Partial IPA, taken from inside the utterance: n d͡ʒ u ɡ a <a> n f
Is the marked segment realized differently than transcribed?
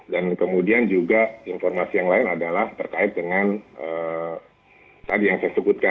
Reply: yes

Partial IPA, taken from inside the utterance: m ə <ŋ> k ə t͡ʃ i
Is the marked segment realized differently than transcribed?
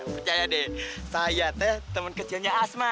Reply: yes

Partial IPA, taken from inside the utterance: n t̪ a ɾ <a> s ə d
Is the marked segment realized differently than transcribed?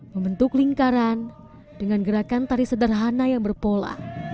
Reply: yes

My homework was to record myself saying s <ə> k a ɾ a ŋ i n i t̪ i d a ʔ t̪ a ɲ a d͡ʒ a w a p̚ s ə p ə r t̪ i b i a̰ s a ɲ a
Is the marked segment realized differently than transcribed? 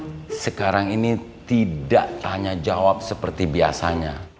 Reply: no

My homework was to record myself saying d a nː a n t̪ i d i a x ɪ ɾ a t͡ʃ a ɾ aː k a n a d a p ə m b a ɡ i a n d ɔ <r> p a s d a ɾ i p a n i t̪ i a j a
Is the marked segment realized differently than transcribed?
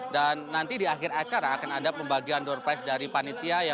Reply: no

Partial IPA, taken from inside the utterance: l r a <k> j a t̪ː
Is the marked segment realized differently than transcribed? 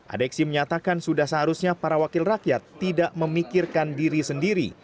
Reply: no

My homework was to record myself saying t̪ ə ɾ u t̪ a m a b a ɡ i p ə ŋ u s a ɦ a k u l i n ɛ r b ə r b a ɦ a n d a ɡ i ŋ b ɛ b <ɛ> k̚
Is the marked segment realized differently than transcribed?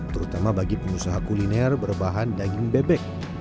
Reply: no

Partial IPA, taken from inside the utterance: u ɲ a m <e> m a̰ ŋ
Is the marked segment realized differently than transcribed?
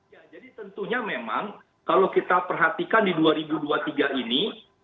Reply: no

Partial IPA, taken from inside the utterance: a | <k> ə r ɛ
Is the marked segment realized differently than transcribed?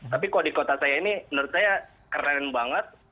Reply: no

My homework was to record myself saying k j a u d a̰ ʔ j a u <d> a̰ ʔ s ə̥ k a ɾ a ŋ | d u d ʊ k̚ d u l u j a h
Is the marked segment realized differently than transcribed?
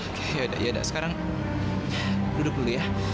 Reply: no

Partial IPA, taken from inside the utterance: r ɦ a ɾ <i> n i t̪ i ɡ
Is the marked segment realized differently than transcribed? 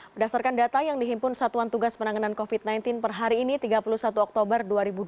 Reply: yes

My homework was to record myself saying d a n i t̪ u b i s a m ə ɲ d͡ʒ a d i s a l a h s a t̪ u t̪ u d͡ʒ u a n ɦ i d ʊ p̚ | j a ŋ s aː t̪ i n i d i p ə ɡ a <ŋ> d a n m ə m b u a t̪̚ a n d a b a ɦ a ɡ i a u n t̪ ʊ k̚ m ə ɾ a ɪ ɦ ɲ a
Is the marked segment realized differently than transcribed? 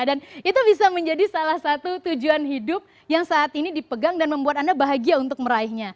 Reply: no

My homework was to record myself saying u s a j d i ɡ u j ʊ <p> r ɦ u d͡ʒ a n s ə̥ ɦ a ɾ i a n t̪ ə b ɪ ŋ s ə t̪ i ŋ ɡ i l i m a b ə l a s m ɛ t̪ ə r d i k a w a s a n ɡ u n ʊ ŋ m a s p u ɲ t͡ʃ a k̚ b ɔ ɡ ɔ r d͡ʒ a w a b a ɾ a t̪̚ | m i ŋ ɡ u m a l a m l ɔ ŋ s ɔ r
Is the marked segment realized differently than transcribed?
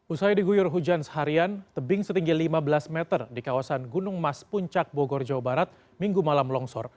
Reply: yes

